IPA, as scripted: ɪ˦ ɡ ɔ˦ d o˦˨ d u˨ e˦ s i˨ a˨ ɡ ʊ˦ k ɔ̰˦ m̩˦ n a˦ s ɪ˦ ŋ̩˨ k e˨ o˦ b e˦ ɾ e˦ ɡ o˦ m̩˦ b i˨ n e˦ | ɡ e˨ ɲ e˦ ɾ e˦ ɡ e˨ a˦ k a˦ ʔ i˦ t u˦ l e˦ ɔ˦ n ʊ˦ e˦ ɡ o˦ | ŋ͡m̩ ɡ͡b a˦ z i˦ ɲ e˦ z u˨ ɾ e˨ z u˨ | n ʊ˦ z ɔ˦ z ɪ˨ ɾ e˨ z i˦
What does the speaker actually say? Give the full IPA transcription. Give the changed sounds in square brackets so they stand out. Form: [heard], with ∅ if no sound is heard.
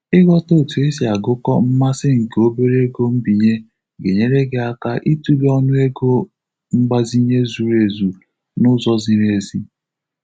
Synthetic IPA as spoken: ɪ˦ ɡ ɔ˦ [t] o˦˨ [t] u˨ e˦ s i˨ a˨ ɡ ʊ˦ k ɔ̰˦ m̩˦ [m] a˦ s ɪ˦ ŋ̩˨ k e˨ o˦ b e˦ ɾ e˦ ɡ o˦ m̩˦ b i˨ [ɲ] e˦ | ɡ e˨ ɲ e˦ ɾ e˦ ɡ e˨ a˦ k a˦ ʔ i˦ t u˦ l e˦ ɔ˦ n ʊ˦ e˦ ɡ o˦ | ŋ͡m̩ ɡ͡b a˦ z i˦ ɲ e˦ z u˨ ɾ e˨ z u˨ | n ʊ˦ z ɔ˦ z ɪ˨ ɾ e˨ z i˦